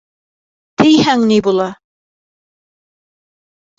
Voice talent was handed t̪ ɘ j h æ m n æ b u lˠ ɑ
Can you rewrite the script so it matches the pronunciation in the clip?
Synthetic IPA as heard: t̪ ɘ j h æ ŋ n i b u lˠ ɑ